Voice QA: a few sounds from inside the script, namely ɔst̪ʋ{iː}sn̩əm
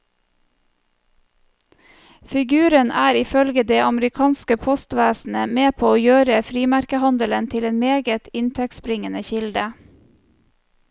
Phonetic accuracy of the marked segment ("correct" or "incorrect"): incorrect